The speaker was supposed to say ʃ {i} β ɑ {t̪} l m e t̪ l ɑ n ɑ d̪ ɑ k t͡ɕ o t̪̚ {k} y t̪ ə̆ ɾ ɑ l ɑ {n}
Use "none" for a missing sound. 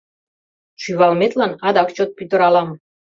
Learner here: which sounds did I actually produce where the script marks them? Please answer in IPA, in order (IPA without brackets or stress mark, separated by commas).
y, none, p, m